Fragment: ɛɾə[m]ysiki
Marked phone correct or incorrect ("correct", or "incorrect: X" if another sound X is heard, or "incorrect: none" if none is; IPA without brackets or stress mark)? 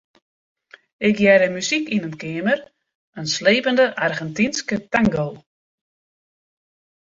correct